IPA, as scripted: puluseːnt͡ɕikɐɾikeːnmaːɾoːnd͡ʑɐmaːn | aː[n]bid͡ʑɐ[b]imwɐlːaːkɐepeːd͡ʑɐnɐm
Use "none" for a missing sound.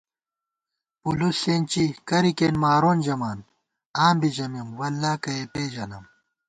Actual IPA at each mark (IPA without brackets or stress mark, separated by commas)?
m, m